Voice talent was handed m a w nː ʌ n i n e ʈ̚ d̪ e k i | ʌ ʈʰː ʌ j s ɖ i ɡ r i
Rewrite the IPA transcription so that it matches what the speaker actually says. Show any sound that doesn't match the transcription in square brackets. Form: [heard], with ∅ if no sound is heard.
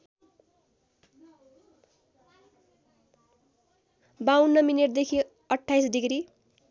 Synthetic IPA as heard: [b] a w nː ʌ [m] i n e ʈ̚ d̪ e [kʰ] i | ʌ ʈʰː [a] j s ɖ i ɡ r i